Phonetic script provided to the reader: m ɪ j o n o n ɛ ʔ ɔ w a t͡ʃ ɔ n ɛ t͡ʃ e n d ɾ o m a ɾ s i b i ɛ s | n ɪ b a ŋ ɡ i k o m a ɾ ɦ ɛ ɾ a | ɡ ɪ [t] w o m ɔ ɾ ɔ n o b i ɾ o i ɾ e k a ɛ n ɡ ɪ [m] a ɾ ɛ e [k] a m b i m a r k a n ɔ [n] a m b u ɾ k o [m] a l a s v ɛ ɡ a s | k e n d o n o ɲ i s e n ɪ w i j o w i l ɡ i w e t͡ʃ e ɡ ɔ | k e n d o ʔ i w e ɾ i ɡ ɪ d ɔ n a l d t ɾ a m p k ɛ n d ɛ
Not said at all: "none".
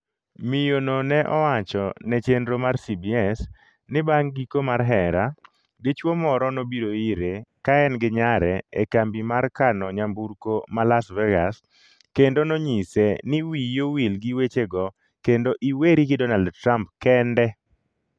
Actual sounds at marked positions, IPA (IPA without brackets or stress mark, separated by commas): t͡ʃ, ɲ, k, ɲ, m